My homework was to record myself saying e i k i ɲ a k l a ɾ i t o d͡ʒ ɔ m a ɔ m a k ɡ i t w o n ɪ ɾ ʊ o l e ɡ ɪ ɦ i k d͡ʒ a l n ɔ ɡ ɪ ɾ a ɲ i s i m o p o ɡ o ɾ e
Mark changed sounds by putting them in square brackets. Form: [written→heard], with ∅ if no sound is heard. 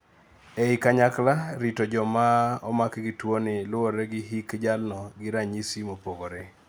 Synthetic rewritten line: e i k [i→a] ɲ a k l a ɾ i t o d͡ʒ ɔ m a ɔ m a k ɡ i t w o n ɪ [ɾ→l] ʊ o [l→ɾ] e ɡ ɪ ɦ i k d͡ʒ a l n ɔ ɡ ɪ ɾ a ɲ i s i m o p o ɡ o ɾ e